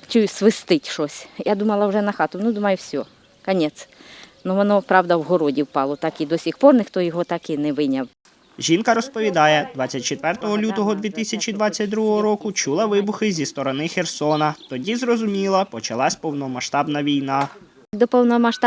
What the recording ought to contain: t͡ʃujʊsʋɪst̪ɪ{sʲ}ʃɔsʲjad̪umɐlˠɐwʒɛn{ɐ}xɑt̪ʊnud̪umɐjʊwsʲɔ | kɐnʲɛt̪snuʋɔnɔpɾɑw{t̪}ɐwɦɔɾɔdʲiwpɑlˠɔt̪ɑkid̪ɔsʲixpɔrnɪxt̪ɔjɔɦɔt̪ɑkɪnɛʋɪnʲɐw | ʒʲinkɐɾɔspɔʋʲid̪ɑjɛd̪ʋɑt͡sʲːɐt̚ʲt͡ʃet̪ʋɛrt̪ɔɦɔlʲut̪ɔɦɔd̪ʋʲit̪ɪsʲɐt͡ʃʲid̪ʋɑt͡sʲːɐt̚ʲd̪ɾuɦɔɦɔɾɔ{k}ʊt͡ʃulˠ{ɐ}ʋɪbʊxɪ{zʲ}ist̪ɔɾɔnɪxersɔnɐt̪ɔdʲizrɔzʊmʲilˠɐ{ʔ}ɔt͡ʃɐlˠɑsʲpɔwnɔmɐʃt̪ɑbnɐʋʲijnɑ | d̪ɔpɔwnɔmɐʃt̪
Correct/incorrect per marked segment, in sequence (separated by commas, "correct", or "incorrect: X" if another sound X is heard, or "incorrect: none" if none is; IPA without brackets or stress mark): incorrect: tʲ, correct, incorrect: d̪, correct, correct, correct, incorrect: p